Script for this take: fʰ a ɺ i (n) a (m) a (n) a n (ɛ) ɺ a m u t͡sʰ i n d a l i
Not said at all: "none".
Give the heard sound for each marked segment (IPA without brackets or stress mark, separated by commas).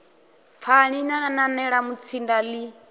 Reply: n, n, n, ɛ